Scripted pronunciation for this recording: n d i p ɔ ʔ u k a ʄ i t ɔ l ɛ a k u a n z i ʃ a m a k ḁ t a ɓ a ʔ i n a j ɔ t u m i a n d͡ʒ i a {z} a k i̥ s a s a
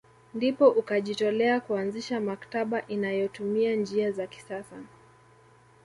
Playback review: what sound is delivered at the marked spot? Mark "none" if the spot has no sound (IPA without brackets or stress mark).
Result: z